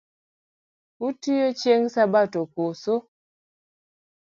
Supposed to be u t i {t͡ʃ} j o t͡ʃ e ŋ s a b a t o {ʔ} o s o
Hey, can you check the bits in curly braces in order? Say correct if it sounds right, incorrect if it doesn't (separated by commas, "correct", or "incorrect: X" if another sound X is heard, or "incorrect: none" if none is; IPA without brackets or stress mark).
incorrect: none, incorrect: k